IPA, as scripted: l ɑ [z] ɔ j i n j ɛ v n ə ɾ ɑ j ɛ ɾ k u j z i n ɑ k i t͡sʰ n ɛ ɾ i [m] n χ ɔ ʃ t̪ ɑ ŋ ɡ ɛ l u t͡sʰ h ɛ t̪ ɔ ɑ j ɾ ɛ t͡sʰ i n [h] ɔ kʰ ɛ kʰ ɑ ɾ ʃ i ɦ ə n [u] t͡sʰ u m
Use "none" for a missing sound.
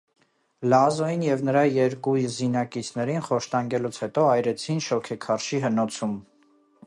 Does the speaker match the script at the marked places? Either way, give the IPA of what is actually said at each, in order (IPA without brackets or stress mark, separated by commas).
z, none, ʃ, ɔ